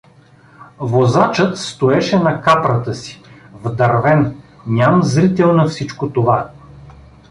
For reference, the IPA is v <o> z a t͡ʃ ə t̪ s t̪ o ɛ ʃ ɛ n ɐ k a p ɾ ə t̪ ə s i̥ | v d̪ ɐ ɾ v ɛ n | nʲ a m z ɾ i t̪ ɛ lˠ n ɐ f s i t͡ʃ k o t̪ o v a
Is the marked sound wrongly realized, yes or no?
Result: no